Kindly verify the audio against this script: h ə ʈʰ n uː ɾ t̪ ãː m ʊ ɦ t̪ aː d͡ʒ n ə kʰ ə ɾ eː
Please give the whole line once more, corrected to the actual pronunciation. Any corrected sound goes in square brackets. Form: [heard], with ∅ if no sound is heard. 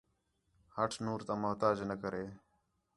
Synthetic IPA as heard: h ə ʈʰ n uː ɾ t̪ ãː m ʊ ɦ t̪ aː d͡ʒ n ə [k] ə ɾ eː